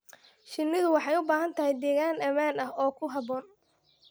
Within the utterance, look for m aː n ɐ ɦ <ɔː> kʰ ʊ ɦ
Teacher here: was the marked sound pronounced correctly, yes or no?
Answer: yes